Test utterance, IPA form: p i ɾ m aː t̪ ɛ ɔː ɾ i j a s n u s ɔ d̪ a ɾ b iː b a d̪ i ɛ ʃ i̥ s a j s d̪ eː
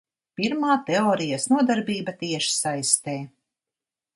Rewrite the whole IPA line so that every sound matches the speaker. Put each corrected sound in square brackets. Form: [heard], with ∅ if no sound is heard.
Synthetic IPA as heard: p i ɾ m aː t̪ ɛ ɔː ɾ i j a s n u [∅] ɔ d̪ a ɾ b iː b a [t̪] i ɛ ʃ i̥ s a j s [t̪] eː